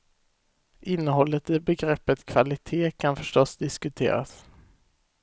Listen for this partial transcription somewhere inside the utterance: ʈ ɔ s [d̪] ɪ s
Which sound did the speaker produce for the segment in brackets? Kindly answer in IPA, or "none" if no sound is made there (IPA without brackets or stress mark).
d̪